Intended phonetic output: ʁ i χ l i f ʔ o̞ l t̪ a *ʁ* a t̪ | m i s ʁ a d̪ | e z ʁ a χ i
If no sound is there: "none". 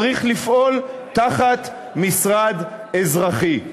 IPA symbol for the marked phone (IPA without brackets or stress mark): χ